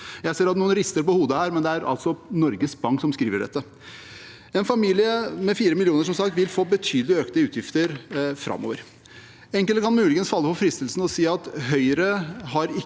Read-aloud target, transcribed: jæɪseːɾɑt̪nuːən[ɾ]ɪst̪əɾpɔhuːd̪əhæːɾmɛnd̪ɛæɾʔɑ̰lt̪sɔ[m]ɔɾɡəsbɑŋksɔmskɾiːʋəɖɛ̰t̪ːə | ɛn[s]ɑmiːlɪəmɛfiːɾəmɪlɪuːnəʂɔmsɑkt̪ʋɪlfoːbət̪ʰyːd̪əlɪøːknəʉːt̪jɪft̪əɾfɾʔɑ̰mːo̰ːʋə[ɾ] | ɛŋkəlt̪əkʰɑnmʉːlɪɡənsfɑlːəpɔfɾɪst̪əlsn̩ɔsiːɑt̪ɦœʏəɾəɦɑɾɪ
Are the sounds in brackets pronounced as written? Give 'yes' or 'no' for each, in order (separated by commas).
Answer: yes, no, no, yes